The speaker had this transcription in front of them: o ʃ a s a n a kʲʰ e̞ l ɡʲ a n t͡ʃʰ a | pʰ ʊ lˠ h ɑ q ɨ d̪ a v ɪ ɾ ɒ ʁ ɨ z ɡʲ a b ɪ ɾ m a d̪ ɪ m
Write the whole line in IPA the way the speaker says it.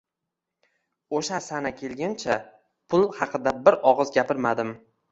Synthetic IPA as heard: o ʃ a s a n a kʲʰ e̞ l ɡʲ a n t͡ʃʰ a | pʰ ʊ lˠ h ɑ q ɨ d̪ a b ɪ ɾ ɒ ʁ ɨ z ɡʲ a p ɪ ɾ m a d̪ ɪ m